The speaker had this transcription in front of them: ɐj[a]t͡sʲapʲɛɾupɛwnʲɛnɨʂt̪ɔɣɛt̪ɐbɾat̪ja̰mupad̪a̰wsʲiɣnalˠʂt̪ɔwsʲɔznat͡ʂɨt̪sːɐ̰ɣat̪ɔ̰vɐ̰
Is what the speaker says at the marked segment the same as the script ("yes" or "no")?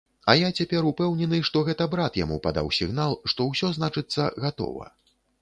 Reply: yes